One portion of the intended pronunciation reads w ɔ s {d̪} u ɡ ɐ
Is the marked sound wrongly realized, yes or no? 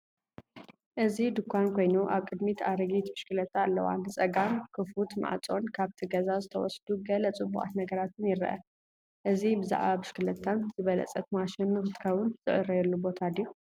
no